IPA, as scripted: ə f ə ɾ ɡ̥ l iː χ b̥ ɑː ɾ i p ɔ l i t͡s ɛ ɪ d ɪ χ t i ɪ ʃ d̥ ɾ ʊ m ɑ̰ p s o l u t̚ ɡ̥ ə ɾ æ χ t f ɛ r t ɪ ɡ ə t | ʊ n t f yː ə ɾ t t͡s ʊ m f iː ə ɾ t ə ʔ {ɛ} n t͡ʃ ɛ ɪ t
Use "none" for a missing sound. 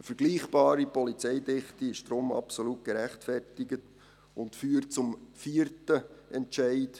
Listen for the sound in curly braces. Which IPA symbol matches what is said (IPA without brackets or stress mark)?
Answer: ɛ